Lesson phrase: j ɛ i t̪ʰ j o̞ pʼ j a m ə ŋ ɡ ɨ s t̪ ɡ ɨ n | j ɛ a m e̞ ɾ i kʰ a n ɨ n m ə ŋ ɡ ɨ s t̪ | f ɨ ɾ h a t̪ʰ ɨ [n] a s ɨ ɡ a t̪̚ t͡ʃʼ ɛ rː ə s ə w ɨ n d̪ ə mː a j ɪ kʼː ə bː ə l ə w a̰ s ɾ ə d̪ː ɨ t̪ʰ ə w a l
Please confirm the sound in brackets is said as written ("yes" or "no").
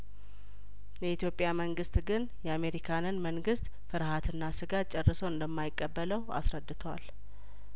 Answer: no